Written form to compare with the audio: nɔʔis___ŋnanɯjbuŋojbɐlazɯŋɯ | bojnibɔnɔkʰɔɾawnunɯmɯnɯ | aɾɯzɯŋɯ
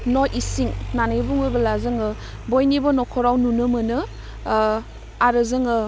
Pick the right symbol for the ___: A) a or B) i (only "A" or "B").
B